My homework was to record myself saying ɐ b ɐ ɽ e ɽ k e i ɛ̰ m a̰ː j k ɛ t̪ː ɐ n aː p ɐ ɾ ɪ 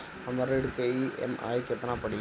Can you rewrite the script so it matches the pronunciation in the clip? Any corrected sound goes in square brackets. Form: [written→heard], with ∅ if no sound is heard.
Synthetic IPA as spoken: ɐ [b→m] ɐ [ɽ→ɾ] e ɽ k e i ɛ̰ m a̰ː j k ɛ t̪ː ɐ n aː p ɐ [ɾ→ɽ] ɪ